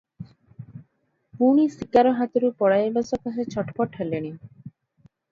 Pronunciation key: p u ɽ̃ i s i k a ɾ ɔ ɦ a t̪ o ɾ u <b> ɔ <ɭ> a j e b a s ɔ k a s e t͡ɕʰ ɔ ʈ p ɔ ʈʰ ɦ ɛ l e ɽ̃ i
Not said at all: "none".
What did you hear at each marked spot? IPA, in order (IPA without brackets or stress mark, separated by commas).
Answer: p, ɽ